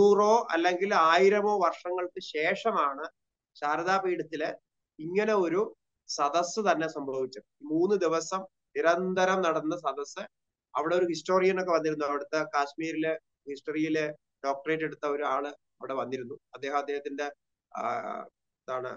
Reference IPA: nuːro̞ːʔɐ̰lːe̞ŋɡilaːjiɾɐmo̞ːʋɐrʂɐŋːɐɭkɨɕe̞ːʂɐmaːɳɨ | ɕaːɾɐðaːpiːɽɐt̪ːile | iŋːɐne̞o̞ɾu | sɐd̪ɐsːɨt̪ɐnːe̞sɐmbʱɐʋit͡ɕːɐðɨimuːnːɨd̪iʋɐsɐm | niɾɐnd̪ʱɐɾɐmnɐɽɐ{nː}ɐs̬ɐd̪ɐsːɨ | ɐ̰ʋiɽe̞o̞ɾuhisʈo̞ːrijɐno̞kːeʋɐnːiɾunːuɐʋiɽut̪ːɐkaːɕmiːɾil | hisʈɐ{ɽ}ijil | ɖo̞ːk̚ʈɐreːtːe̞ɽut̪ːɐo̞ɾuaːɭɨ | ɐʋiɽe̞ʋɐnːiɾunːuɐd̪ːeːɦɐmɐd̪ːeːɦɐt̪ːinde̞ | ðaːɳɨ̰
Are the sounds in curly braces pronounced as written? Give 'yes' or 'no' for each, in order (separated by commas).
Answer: yes, no